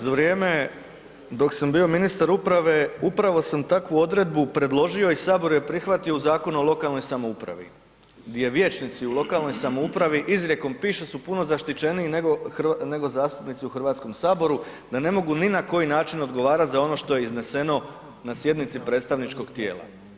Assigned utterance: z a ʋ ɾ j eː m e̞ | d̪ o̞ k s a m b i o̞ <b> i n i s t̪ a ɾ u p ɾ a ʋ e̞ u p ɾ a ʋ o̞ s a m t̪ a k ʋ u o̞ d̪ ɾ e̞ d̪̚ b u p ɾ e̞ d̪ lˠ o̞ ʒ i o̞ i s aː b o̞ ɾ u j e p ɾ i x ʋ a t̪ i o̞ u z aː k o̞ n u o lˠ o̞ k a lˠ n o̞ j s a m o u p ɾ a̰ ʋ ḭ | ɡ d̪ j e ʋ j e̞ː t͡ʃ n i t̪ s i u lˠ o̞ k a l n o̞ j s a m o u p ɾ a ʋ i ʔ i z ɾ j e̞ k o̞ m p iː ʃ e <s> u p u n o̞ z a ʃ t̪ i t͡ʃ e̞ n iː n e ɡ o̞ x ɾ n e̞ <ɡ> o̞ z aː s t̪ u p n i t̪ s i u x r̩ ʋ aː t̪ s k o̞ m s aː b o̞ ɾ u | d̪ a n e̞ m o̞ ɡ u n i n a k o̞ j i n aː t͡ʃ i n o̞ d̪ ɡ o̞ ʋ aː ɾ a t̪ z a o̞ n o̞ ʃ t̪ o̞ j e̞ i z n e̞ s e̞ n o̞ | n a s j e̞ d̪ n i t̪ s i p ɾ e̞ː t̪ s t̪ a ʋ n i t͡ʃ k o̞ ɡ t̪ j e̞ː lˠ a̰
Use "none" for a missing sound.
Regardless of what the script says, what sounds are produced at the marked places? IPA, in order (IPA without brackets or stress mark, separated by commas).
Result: m, s, ɡ